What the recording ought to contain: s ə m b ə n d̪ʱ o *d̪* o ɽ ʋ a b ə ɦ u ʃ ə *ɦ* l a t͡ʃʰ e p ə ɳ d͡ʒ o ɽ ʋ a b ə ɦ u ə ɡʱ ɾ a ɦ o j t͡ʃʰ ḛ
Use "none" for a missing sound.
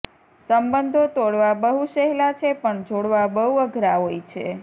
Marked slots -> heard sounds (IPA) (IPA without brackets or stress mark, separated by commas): t̪, ɦ